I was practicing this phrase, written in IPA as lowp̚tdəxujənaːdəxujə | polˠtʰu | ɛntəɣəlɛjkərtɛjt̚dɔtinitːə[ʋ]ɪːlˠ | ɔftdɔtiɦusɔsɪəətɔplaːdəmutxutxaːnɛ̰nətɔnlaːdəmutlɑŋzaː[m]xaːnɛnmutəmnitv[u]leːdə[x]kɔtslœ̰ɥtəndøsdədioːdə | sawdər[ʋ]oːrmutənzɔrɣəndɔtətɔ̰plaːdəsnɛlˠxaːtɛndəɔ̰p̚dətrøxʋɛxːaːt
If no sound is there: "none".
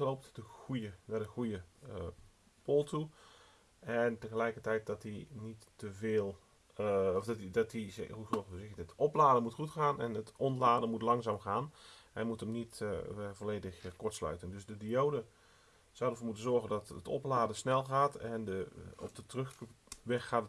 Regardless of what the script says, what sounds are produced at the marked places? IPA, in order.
v, m, o, x, v

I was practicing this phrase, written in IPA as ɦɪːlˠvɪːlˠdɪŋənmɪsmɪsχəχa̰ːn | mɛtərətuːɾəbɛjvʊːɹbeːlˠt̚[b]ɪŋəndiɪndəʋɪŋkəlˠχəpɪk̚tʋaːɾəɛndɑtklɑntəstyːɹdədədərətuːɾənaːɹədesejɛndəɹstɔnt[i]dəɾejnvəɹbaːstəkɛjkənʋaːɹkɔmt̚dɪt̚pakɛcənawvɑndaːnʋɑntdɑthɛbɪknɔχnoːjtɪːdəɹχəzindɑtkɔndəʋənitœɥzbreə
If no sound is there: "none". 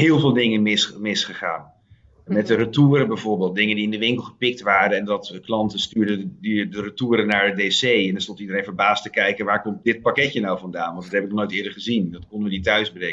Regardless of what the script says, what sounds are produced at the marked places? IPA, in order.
d, i

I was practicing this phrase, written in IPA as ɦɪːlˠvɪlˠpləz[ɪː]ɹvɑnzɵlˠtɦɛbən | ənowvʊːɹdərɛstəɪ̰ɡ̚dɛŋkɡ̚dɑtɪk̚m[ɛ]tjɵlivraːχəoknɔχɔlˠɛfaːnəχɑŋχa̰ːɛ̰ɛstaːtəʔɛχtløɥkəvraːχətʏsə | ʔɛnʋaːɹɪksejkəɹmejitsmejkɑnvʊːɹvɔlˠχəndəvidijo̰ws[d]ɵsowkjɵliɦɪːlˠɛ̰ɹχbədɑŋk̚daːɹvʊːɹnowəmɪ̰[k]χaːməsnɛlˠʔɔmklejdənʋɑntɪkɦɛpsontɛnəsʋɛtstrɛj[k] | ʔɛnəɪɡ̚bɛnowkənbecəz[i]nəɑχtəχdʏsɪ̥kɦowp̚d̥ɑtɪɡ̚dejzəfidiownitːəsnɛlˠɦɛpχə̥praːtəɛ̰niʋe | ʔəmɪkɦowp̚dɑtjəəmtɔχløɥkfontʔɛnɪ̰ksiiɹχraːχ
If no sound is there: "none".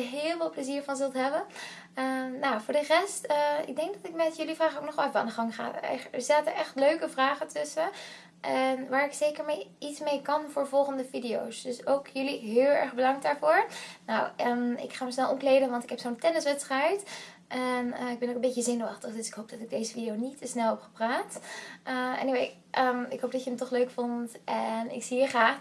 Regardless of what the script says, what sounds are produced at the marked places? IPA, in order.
iː, ɛ, d, k, t, ɪ

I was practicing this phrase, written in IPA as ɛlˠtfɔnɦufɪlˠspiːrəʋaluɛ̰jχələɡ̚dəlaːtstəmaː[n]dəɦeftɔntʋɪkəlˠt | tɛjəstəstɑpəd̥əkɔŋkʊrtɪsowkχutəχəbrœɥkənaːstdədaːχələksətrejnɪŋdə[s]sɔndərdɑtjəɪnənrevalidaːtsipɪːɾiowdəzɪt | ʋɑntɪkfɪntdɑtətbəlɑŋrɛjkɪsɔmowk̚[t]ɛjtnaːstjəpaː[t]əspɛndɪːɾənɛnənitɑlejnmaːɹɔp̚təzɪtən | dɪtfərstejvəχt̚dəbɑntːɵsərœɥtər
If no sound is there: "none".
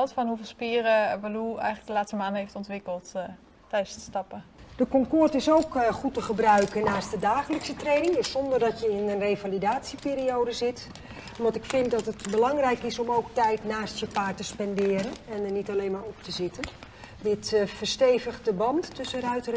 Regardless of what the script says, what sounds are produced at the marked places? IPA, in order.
n, s, t, t

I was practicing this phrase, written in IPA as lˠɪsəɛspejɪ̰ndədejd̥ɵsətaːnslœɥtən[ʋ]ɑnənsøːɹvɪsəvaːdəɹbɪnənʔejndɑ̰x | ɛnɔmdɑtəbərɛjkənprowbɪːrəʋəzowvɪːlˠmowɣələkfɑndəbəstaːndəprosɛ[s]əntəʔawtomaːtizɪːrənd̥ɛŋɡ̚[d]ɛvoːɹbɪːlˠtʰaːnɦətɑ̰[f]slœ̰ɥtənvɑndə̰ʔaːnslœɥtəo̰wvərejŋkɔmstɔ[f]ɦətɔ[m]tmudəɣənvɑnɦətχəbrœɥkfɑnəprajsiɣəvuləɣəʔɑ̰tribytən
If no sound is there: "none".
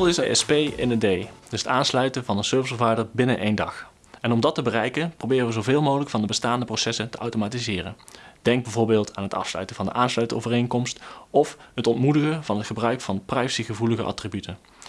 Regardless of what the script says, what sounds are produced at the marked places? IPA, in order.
v, s, b, f, f, n

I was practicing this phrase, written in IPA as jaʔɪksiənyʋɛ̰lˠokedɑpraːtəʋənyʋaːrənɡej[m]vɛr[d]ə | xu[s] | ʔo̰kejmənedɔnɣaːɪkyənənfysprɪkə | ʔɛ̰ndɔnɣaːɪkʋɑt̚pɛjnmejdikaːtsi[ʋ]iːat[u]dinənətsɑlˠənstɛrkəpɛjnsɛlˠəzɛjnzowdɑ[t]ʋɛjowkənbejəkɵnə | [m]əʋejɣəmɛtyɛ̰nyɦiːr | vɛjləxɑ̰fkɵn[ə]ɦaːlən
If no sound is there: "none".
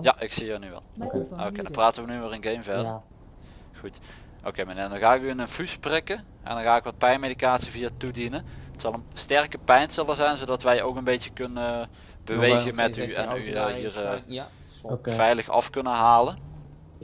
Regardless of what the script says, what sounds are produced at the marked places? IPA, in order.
m, d, t, v, u, t, b, ə

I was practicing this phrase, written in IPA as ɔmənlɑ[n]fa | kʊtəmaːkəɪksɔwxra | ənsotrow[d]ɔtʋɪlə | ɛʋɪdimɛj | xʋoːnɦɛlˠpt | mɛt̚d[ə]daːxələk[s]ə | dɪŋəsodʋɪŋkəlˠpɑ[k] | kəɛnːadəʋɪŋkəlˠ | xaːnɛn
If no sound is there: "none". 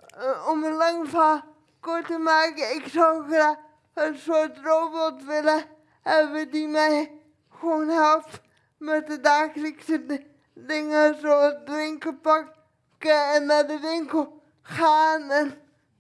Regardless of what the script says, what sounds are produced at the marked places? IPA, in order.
ŋ, b, ə, s, k

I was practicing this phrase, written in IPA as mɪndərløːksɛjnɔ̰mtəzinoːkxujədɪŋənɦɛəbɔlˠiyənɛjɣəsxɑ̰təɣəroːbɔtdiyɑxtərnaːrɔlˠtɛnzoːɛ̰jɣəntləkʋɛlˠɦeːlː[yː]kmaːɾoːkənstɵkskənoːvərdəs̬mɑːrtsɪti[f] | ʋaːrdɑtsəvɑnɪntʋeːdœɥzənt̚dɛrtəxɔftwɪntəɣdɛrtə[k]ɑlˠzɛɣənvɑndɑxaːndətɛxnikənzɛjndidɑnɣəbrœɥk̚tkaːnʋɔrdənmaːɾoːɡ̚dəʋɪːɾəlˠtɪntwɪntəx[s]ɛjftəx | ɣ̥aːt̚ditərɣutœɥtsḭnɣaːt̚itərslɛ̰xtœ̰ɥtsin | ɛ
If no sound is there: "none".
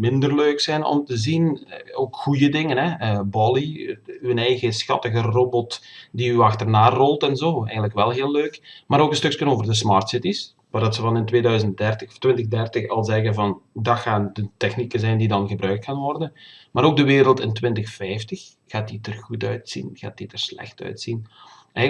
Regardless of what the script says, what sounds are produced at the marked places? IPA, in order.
øː, s, x, f

